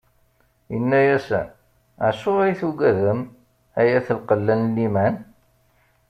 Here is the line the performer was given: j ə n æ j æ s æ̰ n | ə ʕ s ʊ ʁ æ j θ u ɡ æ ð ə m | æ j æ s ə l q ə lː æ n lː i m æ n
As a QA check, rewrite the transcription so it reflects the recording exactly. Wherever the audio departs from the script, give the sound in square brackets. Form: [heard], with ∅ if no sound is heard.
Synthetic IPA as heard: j ə [nː] æ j æ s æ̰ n | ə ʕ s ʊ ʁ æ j θ u ɡ æ ð ə m | æ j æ [θ] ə l q ə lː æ n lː i m æ n